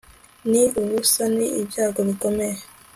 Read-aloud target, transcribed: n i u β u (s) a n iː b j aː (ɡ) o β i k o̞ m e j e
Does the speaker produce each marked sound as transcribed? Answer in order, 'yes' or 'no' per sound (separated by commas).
yes, yes